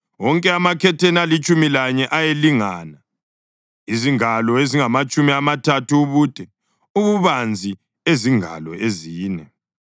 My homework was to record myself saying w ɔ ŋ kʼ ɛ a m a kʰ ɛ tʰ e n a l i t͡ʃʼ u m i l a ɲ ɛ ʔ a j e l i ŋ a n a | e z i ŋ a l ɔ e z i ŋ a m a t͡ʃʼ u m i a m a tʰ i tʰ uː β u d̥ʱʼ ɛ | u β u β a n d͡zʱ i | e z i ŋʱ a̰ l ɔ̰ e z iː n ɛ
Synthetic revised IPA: w ɔ ŋ kʼ ɛ a m a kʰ ɛ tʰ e n a l i t͡ʃʼ u m i l a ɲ ɛ ʔ a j e l i ŋ a n a | i z i ŋ a l ɔ e z i ŋ a m a t͡ʃʼ u m i a m a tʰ a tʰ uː β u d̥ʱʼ ɛ | u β u β a n d͡zʱ i | e z i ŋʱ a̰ l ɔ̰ e z iː n ɛ

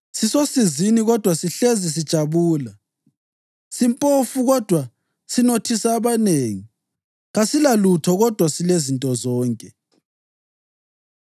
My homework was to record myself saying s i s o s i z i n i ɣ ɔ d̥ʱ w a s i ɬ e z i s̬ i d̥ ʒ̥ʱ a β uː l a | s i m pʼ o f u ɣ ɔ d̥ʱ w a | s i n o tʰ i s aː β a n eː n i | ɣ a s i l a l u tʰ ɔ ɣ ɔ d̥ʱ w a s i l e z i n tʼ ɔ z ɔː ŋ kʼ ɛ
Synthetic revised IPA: s i s o s i z i n i ɣ ɔ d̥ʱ w a s i ɬ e z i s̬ i d̥ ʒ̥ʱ a β uː l a | s i m pʼ o f u ɣ ɔ d̥ʱ w a | s i n o tʰ i s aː β a n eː ŋ i | ɣ a s i l a l u tʰ ɔ ɣ ɔ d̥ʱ w a s i l e z i n tʼ ɔ z ɔː ŋ kʼ ɛ

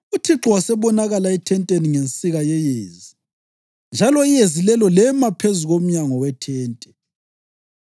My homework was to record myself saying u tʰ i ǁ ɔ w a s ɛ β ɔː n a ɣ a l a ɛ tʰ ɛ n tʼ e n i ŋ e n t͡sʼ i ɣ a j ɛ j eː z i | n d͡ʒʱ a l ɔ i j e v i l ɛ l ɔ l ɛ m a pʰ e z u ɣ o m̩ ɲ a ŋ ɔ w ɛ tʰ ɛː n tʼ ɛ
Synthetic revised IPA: u tʰ i ǁ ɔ w a s ɛ β ɔ n a ɣ a l a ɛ tʰ ɛ n tʼ e n i ŋ e n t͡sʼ i ɣ a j ɛ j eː z i | n d͡ʒʱ a l ɔ i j e z i l ɛ l ɔ l ɛ m a pʰ e z u ɣ o m̩ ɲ a ŋ ɔ w ɛ tʰ ɛː n tʼ ɛ

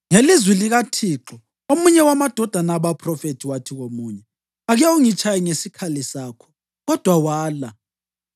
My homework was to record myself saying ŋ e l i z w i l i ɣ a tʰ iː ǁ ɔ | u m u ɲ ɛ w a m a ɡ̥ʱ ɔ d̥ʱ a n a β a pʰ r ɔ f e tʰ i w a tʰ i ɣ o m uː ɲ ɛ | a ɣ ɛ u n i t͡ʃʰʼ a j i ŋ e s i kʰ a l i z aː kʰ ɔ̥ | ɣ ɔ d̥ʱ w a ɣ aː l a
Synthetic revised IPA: ŋ e l i z w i l i ɣ a tʰ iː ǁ ɔ | o m u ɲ ɛ w a m a d̥ʱ ɔ d̥ʱ a n a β a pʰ r ɔ f e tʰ i w a tʰ i ɣ o m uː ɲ ɛ | a ɣ ɛ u ŋ i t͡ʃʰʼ a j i ŋ e s i kʰ a l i s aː kʰ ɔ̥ | ɣ ɔ d̥ʱ w a w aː l a

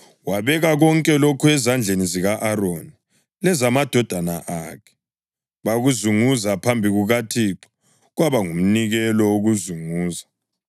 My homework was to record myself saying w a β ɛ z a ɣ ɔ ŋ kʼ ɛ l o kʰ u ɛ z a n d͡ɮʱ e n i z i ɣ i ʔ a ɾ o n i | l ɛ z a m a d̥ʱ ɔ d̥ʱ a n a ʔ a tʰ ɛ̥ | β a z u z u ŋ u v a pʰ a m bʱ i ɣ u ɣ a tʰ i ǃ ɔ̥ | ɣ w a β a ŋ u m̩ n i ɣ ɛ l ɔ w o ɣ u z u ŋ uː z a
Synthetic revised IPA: w a β ɛ ɣ a ɣ ɔ ŋ kʼ ɛ l o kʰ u ɛ z a n d͡ɮʱ e n i z i ɣ a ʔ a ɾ o n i | l ɛ z a m a d̥ʱ ɔ d̥ʱ a n a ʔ a kʰ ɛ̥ | β a ɣ u z u ŋ u z a pʰ a m bʱ i ɣ u ɣ a tʰ i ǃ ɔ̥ | ɣ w a β a ŋ u m̩ n i ɣ ɛ l ɔ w o ɣ u z u ŋ uː z a

